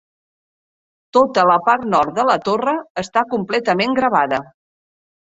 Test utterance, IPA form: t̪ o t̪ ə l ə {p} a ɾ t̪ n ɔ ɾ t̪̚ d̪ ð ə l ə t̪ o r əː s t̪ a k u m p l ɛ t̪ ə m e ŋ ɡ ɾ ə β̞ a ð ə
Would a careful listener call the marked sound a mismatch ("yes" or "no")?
no